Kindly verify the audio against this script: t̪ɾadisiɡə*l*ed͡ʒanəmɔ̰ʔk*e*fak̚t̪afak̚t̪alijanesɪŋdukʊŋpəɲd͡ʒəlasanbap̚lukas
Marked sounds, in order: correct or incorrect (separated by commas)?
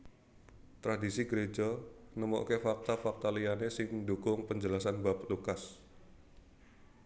incorrect, correct